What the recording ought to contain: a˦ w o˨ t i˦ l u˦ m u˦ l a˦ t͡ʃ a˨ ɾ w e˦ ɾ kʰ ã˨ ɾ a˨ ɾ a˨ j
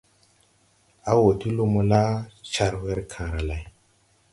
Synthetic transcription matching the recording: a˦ w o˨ t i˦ l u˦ m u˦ l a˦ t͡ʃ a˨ ɾ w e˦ ɾ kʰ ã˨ ɾ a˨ l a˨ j

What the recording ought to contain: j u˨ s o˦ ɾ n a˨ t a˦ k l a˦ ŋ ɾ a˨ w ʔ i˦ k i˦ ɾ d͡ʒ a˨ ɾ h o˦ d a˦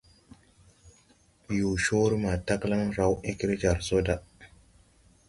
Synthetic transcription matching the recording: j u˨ ʃ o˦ ɾ m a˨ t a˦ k l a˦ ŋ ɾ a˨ w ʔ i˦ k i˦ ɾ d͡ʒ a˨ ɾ s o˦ d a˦

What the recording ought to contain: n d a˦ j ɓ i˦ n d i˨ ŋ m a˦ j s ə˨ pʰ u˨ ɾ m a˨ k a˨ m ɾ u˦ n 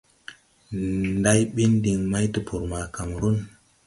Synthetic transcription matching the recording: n d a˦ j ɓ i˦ n d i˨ ŋ m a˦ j t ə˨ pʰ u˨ ɾ m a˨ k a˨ m ɾ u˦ n

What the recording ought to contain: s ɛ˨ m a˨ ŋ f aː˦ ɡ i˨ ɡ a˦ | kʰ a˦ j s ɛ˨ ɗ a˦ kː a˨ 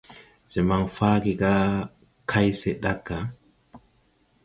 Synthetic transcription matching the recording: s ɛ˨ m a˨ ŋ f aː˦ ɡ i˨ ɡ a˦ | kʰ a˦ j s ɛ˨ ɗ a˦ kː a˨

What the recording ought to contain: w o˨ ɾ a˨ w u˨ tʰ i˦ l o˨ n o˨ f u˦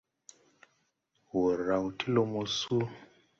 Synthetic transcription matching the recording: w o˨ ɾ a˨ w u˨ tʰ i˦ l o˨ m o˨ s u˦

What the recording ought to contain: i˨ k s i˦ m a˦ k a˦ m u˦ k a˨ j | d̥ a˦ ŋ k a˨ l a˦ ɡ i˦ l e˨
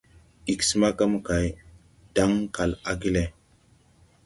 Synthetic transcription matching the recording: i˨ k s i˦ m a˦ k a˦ m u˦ k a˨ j | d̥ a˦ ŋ k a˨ l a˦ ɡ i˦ l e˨

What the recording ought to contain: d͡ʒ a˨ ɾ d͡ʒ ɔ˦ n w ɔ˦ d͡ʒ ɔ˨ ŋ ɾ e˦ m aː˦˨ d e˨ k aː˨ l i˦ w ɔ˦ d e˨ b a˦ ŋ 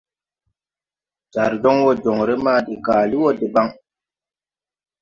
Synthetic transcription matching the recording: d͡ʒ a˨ ɾ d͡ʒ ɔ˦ ŋ w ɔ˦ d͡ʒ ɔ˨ ŋ ɾ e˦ m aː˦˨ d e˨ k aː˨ l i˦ w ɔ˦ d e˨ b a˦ ŋ

